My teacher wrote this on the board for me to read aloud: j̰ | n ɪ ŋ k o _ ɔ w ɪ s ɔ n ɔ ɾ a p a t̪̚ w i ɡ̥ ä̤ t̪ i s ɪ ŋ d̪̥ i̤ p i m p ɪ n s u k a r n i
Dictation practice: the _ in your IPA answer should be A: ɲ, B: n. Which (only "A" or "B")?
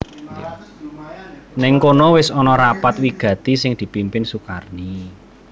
B